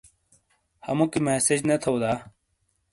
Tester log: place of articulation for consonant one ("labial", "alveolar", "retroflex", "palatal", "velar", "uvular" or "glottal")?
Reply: glottal